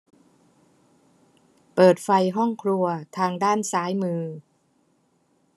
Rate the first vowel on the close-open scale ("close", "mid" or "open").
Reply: mid